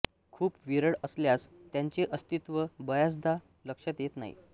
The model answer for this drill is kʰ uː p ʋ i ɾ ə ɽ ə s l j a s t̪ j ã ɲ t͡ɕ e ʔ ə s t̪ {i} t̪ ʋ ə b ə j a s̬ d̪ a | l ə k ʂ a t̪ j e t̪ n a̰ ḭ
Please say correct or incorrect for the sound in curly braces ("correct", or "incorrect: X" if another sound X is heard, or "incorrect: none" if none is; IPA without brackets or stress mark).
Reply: correct